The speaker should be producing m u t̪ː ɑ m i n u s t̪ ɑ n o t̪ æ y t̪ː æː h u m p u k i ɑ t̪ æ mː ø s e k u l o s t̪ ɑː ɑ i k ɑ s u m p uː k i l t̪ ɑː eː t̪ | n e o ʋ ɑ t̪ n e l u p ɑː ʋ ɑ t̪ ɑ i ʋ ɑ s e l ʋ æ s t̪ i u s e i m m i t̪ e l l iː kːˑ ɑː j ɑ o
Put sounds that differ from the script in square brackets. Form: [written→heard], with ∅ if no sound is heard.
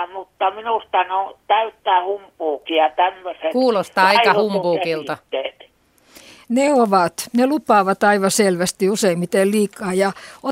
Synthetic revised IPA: m u t̪ː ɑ m i n u s t̪ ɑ n o t̪ æ y t̪ː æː h u m p [u→uː] k i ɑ t̪ æ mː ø s e k [u→uː] l o s t̪ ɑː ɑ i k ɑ [s→h] u m p uː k i l t̪ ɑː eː t̪ | n e o ʋ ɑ t̪ n e l u p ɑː ʋ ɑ t̪ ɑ i ʋ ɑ s e l ʋ æ s t̪ i u s e i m m i t̪ e l l iː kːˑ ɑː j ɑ o